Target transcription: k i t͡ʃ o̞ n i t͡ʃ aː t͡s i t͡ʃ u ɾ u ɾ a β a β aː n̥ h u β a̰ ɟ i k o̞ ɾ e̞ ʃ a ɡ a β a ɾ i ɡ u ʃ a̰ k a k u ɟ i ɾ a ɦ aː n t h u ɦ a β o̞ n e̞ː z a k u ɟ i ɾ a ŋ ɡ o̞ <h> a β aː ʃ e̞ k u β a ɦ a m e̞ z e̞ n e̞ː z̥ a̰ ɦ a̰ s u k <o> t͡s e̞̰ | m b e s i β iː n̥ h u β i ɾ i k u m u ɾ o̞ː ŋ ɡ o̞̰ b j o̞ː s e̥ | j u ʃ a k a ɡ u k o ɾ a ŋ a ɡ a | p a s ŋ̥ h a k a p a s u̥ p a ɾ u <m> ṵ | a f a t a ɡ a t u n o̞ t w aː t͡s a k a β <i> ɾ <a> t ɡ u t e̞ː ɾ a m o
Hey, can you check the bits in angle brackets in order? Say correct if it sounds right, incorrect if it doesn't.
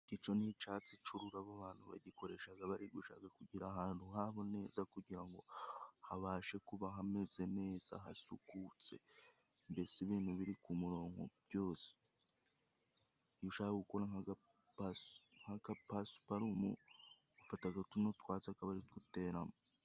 correct, incorrect, correct, incorrect, incorrect

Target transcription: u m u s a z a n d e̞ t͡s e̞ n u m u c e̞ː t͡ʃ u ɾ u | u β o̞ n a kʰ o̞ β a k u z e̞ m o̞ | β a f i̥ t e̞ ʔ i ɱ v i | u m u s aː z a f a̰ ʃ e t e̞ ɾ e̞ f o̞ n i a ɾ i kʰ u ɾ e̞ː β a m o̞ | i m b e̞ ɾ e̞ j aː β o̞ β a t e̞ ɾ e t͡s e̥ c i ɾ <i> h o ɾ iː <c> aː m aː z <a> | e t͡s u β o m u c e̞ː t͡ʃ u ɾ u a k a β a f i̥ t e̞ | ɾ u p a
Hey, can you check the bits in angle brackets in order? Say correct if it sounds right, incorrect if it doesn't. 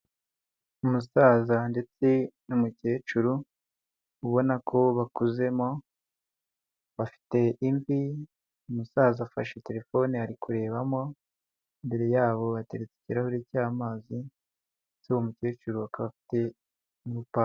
incorrect, correct, incorrect

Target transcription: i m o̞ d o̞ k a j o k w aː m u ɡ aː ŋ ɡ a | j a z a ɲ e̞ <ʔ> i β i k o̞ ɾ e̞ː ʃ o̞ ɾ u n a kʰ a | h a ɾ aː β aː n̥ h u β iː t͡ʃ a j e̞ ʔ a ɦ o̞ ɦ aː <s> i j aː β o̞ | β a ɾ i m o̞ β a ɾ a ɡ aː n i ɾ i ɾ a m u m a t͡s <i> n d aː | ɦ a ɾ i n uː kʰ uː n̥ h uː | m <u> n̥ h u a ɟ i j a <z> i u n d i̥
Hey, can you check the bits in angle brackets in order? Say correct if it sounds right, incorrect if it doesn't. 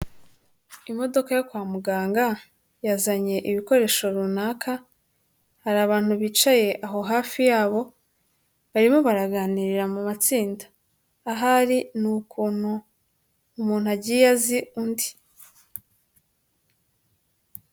correct, incorrect, incorrect, incorrect, correct

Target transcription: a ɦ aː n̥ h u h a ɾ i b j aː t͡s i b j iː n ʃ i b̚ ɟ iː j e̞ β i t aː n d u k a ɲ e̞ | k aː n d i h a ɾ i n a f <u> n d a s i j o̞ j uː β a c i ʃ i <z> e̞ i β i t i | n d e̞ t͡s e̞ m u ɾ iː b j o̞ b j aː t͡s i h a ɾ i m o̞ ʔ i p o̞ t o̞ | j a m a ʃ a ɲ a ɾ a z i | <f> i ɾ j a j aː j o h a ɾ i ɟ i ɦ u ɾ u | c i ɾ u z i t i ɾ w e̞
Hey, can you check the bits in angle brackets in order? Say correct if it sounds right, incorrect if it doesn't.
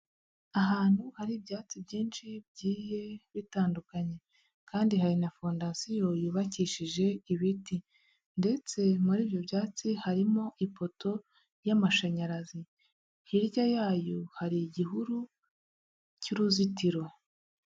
incorrect, incorrect, incorrect

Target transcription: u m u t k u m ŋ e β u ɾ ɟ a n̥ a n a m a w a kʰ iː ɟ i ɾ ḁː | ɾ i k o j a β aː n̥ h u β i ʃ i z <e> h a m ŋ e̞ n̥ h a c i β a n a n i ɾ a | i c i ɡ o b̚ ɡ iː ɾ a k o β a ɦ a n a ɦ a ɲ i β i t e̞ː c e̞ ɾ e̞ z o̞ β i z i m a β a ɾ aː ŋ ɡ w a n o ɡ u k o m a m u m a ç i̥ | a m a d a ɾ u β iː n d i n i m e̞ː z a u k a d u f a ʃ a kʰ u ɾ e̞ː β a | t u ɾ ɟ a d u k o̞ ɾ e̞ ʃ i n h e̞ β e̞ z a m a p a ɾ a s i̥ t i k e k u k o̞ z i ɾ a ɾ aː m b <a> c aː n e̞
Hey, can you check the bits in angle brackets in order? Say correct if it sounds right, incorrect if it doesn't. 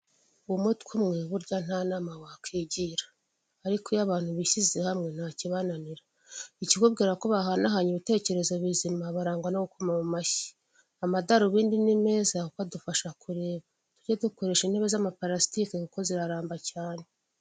correct, correct

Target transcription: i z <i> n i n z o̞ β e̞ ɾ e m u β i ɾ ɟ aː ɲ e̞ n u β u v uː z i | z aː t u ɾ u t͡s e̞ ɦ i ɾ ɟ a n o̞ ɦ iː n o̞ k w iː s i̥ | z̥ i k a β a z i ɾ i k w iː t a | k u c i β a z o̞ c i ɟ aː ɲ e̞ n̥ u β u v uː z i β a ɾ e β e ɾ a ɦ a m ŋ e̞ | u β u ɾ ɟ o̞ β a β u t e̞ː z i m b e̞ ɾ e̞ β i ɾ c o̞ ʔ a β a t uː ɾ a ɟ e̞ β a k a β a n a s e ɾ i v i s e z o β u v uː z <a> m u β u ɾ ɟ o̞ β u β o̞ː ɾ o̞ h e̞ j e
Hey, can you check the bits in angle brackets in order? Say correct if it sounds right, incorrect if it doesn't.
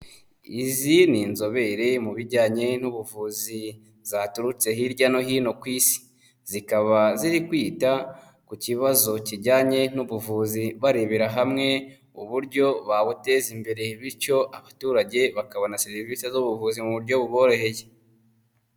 correct, incorrect

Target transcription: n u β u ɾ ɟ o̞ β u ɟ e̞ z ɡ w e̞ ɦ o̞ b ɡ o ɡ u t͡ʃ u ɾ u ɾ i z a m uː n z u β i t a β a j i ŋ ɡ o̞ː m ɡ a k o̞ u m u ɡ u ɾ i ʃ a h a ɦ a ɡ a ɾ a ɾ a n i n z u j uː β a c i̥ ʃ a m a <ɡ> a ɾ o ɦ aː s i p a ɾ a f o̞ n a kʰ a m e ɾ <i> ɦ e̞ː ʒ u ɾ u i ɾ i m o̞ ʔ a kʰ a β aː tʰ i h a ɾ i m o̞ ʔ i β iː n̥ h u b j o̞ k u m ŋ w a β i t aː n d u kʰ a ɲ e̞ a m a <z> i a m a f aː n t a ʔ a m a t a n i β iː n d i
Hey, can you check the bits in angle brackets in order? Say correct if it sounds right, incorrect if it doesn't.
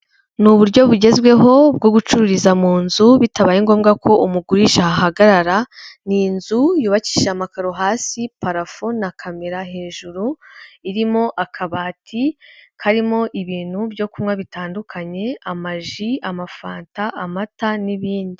incorrect, incorrect, incorrect

